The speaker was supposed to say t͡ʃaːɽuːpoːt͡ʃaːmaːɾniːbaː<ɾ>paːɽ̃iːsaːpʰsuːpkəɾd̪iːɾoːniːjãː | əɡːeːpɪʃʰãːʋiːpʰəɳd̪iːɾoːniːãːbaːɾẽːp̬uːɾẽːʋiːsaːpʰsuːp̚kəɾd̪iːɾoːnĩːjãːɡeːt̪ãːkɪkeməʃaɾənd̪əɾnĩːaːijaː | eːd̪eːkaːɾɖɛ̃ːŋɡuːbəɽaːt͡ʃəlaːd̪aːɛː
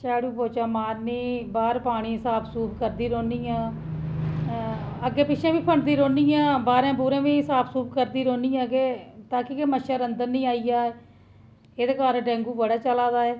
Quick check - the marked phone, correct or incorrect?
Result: correct